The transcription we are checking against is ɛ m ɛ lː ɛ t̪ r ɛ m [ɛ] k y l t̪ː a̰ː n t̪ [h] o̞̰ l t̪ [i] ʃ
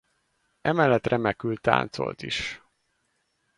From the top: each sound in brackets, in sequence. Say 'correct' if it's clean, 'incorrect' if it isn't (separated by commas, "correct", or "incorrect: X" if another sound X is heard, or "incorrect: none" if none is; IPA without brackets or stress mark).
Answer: correct, incorrect: s, correct